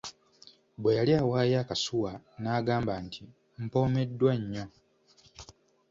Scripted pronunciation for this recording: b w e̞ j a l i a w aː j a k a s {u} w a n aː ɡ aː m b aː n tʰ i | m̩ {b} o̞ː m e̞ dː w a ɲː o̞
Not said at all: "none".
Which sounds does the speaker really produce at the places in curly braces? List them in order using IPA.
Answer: u, p

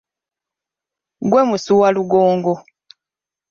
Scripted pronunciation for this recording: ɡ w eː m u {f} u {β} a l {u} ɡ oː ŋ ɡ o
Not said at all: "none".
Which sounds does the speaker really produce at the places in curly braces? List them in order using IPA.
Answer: s, w, u

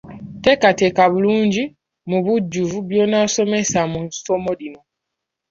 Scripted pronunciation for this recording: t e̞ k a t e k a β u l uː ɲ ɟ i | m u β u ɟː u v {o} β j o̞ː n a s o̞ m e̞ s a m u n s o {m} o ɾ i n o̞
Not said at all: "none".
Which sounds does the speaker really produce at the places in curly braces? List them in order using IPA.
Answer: u, m

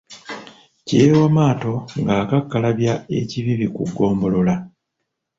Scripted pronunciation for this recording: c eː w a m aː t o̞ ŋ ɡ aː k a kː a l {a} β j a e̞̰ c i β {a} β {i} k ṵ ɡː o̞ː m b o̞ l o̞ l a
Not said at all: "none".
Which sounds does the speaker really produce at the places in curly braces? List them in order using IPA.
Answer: a, i, i

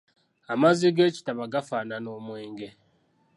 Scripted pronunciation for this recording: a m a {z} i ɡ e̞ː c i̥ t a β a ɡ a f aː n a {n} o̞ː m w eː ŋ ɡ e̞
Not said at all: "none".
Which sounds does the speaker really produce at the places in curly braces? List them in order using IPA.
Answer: z, n

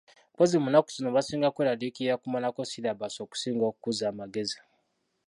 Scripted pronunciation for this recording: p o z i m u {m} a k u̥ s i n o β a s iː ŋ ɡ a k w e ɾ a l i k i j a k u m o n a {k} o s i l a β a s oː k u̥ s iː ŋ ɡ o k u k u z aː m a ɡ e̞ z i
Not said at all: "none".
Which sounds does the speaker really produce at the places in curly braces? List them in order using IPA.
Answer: n, k

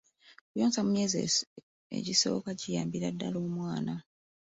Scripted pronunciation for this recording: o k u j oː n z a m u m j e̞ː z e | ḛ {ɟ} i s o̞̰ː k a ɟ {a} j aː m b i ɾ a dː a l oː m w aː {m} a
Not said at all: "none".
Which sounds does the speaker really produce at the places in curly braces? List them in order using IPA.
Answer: ɟ, i, n

